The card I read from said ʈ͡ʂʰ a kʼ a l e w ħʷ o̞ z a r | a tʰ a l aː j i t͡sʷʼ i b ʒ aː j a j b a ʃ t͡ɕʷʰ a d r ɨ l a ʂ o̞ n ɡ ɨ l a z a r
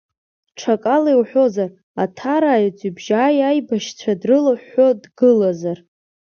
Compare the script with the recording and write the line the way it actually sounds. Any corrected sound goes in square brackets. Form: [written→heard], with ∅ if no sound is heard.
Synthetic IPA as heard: ʈ͡ʂʰ a kʼ a l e w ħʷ o̞ z a r | a tʰ a [l→ɾ] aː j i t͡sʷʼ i b ʒ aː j a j b a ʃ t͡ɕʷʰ a d r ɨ l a [ʂ→ħ] o̞ [n→d] ɡ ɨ l a z a r